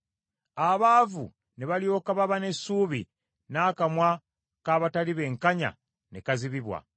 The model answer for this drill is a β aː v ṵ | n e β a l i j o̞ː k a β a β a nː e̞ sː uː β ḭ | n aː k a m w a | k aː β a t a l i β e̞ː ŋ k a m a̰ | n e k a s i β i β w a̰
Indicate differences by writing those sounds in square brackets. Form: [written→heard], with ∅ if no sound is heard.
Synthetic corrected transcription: a β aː v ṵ | n e β a l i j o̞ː k a β a β a [nː→n] e̞ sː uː β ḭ | n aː k a m w a | k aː β a t a l i β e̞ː ŋ k a [m→ɲ] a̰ | n e k a [s→z] i β i β w a̰

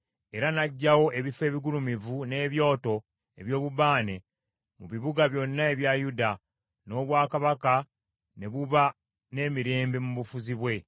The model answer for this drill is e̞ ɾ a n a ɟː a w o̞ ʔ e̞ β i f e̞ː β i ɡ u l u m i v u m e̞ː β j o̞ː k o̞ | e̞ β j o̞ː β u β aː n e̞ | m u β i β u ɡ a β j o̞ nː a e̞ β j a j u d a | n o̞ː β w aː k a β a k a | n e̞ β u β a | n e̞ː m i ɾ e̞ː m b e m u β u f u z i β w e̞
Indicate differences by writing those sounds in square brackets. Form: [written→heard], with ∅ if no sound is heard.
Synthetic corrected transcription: e̞ ɾ a n a ɟː a w o̞ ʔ e̞ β i f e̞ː β i ɡ u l u m i v u [m→n] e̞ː β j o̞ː [k→t] o̞ | e̞ β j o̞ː β u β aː n e̞ | m u β i β u ɡ a β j o̞ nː a e̞ β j a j u d a | n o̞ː β w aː k a β a k a | n e̞ β u β a | n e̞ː m i ɾ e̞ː m b e m u β u f u z i β w e̞

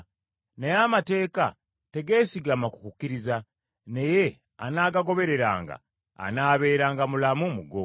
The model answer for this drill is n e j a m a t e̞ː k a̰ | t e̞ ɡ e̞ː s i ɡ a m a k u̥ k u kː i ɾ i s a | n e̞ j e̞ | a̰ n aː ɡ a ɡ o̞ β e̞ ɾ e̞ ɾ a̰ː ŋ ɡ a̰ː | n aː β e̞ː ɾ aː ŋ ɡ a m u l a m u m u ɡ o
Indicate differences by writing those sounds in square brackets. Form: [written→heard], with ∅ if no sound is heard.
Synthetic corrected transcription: n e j a m a t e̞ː k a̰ | t e̞ ɡ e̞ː s i ɡ a m a k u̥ k u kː i ɾ i [s→z] a | n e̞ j e̞ | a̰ n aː ɡ a ɡ o̞ β e̞ ɾ e̞ ɾ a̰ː ŋ ɡ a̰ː | n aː β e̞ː ɾ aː ŋ ɡ a m u l a m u m u ɡ o

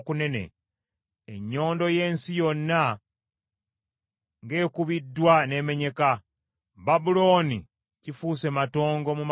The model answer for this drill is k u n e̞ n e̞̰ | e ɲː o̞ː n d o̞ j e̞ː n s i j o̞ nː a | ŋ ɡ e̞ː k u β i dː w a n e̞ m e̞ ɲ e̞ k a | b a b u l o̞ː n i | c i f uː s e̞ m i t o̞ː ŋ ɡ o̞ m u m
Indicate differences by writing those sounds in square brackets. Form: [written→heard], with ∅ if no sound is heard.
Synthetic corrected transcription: k u n e̞ n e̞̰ | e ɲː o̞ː n d o̞ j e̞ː n s i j o̞ nː a | ŋ ɡ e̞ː k u β i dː w a n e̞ m e̞ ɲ e̞ k a | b a b u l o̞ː n i | c i f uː s e̞ m [i→a] t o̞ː ŋ ɡ o̞ m u m

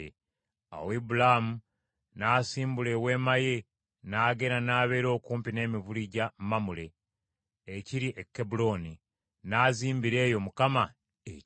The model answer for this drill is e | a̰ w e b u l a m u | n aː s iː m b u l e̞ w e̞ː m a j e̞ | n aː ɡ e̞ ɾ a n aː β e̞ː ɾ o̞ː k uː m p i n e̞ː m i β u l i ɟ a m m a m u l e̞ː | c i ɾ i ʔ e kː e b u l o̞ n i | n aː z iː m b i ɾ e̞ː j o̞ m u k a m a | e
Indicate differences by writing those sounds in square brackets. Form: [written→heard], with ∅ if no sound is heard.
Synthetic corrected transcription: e | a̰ w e b u l a m u | n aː s iː m b u l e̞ w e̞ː m a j e̞ | n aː ɡ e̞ ɾ a n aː β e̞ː ɾ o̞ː k uː m p i n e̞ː m i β u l i ɟ a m m a m u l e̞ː | c i ɾ i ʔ e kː e b u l o̞ n i | n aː z iː m b i ɾ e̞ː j o̞ m u k a m a | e

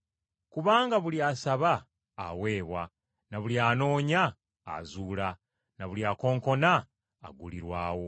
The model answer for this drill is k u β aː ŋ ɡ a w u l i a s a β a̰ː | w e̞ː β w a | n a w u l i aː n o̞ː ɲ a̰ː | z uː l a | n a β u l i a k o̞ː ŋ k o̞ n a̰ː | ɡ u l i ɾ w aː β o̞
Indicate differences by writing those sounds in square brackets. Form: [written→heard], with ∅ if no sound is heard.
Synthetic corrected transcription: k u β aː ŋ ɡ a [w→β] u l i a s a β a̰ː | w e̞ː β w a | n a [w→β] u l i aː n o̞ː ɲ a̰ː | z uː l a | n a β u l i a k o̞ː ŋ k o̞ n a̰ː | ɡ u l i ɾ w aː [β→w] o̞

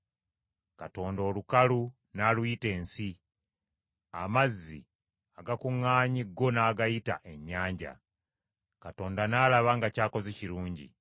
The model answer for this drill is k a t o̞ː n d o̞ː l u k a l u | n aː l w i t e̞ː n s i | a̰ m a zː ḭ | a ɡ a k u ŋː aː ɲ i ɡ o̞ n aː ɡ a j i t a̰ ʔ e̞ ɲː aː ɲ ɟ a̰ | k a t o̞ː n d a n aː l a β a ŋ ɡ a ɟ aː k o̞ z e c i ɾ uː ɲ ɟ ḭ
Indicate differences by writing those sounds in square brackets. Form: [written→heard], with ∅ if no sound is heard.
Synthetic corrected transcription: k a t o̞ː n d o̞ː l u k a l u | n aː l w i t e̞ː n s i | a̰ m a zː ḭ | a ɡ a k u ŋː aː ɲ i ɡ o̞ n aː ɡ a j i t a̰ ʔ e̞ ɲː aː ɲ ɟ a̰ | k a t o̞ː n d a n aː l a β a ŋ ɡ a [ɟ→c] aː k o̞ z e c i ɾ uː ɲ ɟ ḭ

